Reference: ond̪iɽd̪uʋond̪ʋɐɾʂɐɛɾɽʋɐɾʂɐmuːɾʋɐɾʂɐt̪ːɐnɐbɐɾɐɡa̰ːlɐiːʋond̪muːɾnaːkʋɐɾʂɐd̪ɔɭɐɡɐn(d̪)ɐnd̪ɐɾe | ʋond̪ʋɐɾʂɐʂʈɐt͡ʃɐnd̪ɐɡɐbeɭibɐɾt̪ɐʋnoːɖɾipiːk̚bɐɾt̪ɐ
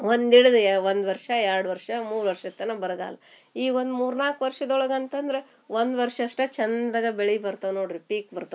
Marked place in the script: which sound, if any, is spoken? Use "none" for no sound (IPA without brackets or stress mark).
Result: t̪